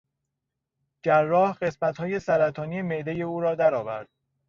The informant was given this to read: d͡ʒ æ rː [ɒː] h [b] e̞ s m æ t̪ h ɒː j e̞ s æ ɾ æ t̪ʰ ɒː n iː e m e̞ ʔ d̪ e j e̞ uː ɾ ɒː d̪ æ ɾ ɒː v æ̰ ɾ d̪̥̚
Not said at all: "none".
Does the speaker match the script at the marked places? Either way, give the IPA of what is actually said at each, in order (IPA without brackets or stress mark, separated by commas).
ɒː, ɢ